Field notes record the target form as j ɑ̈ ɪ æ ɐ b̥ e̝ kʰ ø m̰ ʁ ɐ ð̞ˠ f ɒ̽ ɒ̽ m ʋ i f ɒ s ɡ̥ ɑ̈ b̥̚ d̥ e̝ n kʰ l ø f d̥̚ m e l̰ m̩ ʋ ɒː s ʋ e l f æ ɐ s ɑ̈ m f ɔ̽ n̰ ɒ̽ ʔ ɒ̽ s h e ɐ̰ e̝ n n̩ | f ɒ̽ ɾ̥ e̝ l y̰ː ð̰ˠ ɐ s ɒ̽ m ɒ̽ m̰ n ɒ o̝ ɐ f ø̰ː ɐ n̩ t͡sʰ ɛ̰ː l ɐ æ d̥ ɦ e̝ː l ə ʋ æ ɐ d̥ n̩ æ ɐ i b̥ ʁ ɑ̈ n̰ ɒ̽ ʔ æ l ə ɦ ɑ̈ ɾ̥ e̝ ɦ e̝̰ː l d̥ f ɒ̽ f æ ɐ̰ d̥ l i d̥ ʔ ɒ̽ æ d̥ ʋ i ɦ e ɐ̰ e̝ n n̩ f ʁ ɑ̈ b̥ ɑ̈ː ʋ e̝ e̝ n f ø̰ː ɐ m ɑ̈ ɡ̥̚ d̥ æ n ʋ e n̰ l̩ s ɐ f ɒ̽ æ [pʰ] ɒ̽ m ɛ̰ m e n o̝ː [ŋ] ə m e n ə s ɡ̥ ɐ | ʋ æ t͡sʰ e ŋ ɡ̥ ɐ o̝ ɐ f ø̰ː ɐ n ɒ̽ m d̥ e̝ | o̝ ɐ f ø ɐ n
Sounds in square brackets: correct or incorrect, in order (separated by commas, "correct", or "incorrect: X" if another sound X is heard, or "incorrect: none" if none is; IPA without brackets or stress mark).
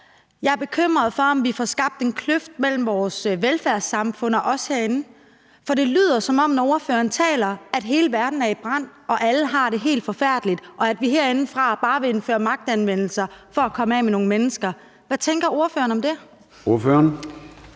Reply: incorrect: kʰ, correct